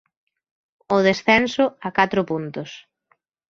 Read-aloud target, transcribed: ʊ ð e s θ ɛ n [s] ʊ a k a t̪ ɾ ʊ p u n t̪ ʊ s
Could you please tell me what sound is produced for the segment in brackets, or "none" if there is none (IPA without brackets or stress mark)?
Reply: s